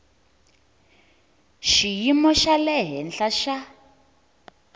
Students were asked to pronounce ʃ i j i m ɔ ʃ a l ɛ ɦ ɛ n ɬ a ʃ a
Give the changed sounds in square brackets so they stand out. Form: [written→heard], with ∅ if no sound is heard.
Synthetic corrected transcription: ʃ i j i m ɔ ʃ a l ɛ ɦ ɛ n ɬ a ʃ a